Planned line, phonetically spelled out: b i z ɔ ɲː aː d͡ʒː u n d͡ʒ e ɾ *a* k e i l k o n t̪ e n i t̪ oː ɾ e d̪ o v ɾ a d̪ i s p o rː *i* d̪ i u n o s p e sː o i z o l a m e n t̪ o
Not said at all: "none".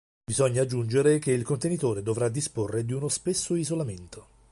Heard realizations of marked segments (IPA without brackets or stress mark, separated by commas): e, e